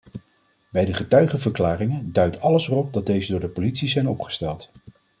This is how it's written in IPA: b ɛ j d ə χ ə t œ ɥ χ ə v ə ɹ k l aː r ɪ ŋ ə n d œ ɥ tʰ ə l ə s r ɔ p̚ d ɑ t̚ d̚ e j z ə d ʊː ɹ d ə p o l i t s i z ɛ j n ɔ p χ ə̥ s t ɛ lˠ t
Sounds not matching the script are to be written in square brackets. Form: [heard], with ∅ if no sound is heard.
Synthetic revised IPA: b ɛ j d ə χ ə t œ ɥ χ ə v ə ɹ k l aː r ɪ ŋ ə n d œ ɥ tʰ [ɑ] l ə s r ɔ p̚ d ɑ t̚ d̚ e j z ə d ʊː ɹ d ə p o l i t s i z ɛ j n ɔ p χ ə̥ s t ɛ lˠ t